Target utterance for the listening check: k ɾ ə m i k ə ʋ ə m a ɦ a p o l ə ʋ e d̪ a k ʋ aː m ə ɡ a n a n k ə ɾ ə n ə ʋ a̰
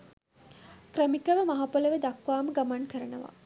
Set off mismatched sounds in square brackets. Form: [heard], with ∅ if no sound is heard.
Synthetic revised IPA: k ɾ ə m i k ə ʋ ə m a ɦ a p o l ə ʋ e d̪ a k ʋ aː m ə ɡ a [m] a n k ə ɾ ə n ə ʋ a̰